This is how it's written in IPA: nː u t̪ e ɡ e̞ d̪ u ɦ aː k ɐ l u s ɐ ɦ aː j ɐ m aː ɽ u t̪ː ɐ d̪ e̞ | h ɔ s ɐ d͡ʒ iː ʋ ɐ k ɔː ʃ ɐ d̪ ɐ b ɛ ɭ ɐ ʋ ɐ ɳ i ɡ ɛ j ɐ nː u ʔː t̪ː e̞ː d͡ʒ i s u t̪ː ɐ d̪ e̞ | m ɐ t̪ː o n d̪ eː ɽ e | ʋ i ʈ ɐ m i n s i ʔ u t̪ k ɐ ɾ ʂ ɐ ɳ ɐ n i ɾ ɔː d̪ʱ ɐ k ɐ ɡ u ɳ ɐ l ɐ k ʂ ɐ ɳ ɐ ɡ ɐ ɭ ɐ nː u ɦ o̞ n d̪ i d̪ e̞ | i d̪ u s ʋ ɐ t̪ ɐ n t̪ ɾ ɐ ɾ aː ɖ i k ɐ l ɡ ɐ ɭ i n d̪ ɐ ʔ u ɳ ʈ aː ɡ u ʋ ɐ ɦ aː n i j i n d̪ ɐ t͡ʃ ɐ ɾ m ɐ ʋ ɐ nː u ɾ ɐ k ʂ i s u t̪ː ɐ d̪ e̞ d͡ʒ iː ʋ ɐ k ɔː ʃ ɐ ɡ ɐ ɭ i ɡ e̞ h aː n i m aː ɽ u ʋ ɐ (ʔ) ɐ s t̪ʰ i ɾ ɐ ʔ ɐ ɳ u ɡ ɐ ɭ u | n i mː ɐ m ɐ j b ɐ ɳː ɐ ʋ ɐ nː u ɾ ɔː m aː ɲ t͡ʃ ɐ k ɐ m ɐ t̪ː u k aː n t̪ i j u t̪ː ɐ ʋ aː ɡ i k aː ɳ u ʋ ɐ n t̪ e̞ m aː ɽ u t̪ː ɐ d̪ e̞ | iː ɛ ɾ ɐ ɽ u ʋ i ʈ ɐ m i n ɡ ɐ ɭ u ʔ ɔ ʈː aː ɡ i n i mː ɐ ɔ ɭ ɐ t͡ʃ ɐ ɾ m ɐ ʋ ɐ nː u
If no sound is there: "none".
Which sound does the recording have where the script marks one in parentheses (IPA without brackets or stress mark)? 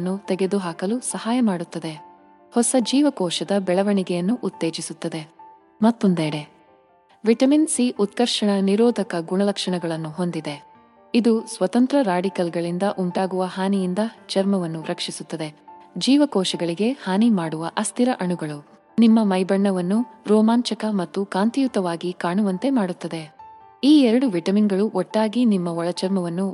ʔ